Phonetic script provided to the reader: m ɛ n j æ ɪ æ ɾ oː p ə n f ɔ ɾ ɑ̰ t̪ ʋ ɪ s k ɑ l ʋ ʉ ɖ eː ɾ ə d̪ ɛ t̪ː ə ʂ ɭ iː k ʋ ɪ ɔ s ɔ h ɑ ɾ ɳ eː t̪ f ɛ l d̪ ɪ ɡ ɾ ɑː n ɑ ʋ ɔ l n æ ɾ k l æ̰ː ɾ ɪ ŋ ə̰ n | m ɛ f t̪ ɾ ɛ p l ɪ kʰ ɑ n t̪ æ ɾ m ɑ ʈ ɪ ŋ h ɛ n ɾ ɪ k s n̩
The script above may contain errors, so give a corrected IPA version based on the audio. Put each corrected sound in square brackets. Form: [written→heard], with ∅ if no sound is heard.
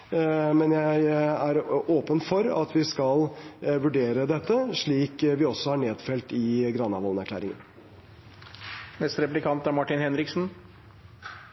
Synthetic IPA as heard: m ɛ n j æ ɪ æ ɾ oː p ə n f ɔ ɾ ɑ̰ t̪ ʋ ɪ s k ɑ l ʋ ʉ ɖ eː ɾ ə d̪ ɛ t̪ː ə ʂ ɭ iː k ʋ ɪ ɔ s ɔ h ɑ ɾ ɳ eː [t̪→d̪] f ɛ l [d̪→t̪] ɪ ɡ ɾ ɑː n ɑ ʋ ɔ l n æ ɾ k l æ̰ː ɾ ɪ ŋ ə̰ n | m ɛ [f→s] t̪ ɾ ɛ p l ɪ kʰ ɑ n t̪ æ ɾ m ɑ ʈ ɪ [ŋ→n] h ɛ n ɾ ɪ k s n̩